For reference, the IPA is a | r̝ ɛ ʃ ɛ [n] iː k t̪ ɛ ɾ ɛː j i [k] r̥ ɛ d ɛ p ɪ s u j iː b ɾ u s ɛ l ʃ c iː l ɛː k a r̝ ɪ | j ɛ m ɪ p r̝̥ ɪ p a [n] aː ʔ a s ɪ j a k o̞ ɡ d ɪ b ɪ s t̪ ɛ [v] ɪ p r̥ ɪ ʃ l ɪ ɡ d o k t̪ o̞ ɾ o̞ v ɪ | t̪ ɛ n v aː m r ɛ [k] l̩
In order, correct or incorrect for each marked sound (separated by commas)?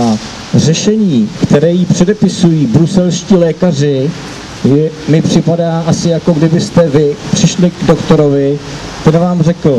incorrect, incorrect, incorrect, correct, correct